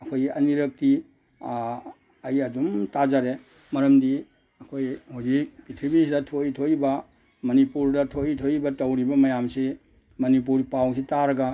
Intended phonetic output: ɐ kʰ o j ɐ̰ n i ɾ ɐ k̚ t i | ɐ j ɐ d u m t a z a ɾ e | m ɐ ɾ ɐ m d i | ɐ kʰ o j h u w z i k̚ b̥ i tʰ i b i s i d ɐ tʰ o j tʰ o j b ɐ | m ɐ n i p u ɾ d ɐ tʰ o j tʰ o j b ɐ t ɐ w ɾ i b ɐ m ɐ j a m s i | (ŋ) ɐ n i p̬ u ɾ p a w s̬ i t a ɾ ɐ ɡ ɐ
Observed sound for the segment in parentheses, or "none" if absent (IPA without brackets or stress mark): m